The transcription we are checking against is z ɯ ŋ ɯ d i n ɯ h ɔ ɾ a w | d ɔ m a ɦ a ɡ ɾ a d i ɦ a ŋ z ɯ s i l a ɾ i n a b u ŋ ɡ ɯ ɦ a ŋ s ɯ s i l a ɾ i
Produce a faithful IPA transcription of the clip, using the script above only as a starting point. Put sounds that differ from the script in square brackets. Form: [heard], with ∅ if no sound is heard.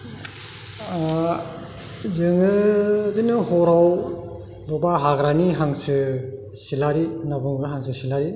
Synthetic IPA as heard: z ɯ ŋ ɯ d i n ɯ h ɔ ɾ a w | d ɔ [b] a ɦ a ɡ ɾ a [n] i ɦ a ŋ [s] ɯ s i l a ɾ i n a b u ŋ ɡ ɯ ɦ a ŋ s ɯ s i l a ɾ i

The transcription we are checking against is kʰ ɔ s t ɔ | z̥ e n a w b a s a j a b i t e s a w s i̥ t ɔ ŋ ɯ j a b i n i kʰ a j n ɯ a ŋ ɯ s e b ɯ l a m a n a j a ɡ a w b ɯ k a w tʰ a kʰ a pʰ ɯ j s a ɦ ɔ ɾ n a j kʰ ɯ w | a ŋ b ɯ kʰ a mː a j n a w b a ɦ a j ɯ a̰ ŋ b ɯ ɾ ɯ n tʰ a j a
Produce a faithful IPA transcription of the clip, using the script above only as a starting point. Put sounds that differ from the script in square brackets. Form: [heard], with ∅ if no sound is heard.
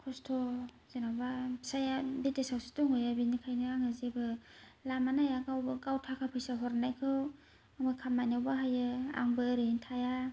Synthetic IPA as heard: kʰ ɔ s [tʰ] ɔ | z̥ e n a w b a s a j a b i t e s a w s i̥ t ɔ ŋ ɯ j a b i n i kʰ a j n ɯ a ŋ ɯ [z] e b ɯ l a m a n a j a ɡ a w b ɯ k a w tʰ a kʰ a pʰ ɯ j s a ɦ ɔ ɾ n a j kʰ ɯ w | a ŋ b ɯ kʰ a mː a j n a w b a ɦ a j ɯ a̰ ŋ b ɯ ɾ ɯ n tʰ a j a

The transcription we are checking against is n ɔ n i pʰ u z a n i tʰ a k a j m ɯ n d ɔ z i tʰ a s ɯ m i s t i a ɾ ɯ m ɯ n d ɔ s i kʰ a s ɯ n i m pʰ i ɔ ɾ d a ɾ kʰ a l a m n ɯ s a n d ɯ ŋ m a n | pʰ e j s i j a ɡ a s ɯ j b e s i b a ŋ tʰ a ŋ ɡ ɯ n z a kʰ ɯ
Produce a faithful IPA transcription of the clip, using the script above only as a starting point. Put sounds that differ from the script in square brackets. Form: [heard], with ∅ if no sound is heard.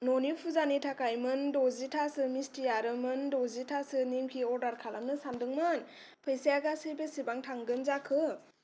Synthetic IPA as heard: n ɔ n i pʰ u z a n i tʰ a k a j m ɯ n d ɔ z i tʰ a s ɯ m i s t i a ɾ ɯ m ɯ n d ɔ [z] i [tʰ] a s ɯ n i m [kʰ] i ɔ ɾ d a ɾ kʰ a l a m n ɯ s a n d ɯ ŋ m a n | pʰ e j s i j a ɡ a s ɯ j b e s i b a ŋ tʰ a ŋ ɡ ɯ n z a kʰ ɯ

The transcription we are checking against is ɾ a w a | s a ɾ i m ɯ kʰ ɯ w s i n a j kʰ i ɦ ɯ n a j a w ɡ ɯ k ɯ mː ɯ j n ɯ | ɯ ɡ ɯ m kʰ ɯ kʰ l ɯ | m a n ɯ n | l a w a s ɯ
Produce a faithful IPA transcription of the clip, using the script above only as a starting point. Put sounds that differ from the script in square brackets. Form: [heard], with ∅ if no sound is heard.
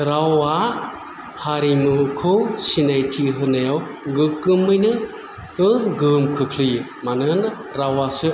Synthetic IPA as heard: ɾ a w a | [h] a ɾ i m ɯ kʰ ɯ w s i n a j [tʰ] i ɦ ɯ n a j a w ɡ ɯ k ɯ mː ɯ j n ɯ | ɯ ɡ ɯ m kʰ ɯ kʰ l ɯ | m a n ɯ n | [ɾ] a w a s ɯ

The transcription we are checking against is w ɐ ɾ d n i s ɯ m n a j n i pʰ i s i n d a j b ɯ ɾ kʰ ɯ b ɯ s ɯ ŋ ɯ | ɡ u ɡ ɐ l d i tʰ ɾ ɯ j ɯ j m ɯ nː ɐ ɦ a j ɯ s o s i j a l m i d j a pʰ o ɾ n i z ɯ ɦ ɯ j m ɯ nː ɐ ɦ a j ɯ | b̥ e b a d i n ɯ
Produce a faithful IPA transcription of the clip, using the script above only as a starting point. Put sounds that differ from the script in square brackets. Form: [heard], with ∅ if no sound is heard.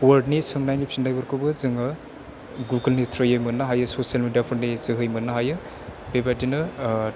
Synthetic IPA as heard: w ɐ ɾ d n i s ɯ [ŋ] n a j n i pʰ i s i n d a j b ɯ ɾ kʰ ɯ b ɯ [z] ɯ ŋ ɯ | ɡ u ɡ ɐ l [n] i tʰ ɾ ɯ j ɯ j m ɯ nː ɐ ɦ a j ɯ s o s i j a l m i d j a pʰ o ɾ n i z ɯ ɦ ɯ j m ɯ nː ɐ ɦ a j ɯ | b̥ e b a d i n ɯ

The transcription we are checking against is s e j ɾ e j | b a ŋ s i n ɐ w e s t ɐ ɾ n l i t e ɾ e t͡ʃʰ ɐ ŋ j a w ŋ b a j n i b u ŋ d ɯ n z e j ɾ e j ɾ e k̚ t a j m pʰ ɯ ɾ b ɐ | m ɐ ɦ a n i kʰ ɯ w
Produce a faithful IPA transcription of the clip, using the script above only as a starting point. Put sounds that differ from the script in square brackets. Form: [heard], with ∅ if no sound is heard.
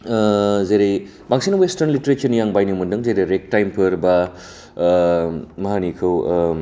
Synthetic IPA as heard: [z] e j ɾ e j | b a ŋ s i n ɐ w e s t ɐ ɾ n l i t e ɾ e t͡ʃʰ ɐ [n] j a [∅] ŋ b a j n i [m] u [n] d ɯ [ŋ] z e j ɾ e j ɾ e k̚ t a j m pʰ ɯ ɾ b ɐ | m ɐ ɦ a n i kʰ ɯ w

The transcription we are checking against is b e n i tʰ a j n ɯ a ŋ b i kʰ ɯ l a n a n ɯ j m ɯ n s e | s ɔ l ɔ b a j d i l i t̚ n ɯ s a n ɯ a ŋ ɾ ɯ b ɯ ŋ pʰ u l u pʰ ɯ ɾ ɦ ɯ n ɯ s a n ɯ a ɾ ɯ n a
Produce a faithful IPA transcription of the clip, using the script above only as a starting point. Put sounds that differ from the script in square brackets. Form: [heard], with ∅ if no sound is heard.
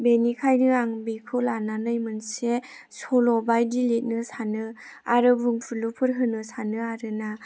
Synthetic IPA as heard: b e n i [kʰ] a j n ɯ a ŋ b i kʰ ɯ l a n a n ɯ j m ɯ n s e | s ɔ l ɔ b a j d i l i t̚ n ɯ s a n ɯ a [∅] ɾ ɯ b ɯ ŋ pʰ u l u pʰ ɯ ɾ ɦ ɯ n ɯ s a n ɯ a ɾ ɯ n a

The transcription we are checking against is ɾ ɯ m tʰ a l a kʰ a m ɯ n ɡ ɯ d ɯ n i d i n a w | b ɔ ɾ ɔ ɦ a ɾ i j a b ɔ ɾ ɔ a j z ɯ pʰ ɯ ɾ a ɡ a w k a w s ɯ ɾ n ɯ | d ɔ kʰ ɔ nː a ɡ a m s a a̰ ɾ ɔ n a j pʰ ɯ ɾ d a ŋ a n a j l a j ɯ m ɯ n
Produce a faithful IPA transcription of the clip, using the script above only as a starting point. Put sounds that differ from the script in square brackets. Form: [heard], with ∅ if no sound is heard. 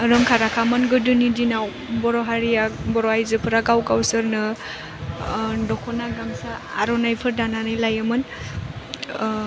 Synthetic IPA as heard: ɾ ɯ m [kʰ] a [ɾ] a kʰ a m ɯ n ɡ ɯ d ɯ n i d i n a w | b ɔ ɾ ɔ ɦ a ɾ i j a b ɔ ɾ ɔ a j z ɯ pʰ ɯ ɾ a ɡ a w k a w s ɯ ɾ n ɯ | d ɔ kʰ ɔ [n] a ɡ a m s a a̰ ɾ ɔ n a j pʰ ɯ ɾ d a [n] a n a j l a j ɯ m ɯ n

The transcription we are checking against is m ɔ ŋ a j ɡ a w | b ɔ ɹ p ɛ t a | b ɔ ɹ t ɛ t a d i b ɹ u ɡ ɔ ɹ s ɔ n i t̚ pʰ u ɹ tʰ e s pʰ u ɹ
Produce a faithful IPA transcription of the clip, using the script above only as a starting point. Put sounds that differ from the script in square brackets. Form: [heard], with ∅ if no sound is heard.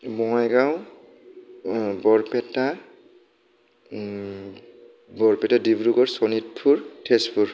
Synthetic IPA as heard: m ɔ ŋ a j ɡ a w | b ɔ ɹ p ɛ t a | b ɔ ɹ [p] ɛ t a d i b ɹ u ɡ ɔ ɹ s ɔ n i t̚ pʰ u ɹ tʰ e s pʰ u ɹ

